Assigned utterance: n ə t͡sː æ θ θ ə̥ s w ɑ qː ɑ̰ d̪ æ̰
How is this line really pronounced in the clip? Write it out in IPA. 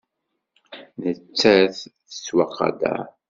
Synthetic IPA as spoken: n ə t͡sː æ θ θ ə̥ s w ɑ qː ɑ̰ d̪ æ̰